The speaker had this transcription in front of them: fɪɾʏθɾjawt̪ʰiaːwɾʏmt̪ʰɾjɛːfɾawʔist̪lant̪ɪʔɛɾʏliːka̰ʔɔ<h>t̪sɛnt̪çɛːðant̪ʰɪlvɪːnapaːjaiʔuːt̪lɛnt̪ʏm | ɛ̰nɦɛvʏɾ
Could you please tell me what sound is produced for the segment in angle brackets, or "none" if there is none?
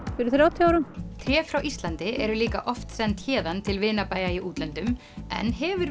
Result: f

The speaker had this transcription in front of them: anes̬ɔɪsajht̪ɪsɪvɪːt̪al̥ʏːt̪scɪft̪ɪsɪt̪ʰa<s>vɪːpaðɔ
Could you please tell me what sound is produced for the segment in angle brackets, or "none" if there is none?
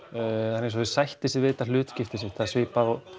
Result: s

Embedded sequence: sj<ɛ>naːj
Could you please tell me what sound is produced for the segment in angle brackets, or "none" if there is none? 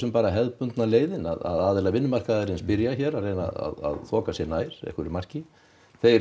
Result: ɛ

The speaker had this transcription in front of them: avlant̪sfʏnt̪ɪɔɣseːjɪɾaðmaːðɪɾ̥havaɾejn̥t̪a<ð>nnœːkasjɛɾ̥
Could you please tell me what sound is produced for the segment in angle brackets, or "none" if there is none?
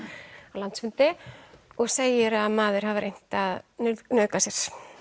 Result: ð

